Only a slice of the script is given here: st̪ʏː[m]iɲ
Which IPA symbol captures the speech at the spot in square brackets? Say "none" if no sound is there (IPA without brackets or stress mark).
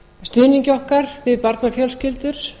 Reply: n